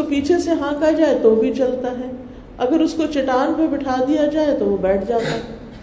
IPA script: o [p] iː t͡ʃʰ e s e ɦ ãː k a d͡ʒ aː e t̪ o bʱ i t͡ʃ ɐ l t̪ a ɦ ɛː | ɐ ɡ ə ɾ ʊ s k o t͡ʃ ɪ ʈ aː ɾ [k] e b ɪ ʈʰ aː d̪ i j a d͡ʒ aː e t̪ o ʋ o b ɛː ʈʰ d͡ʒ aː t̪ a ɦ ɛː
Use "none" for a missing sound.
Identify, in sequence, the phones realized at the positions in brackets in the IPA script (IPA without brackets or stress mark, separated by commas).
p, p